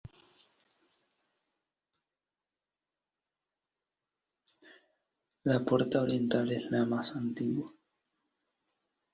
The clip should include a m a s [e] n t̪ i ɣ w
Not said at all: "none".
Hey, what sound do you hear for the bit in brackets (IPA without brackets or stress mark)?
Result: a